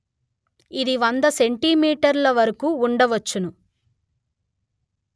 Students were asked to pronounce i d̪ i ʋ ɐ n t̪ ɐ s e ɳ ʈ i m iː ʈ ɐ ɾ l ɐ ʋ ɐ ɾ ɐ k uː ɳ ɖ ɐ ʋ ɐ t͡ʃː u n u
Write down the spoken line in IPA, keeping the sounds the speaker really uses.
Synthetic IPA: i d̪ i ʋ ɐ n d̪ ɐ s e ɳ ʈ i m iː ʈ ɐ ɾ l ɐ ʋ ɐ ɾ ɐ k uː ɳ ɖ ɐ ʋ ɐ t͡ʃː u n u